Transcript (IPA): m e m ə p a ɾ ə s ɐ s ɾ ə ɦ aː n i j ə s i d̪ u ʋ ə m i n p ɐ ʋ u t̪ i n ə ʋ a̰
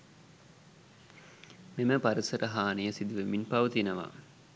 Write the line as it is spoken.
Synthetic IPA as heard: m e m ə p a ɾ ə s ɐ ɾ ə ɦ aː n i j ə s i d̪ u ʋ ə m i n p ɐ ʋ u t̪ i n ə ʋ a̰